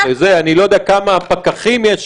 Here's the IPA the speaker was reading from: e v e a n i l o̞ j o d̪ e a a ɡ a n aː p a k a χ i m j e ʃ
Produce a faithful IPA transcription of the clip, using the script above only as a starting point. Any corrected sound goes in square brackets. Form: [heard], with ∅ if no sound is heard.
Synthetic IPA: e [z] e a n i l o̞ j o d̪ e a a [k] a [m] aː p a k a χ i m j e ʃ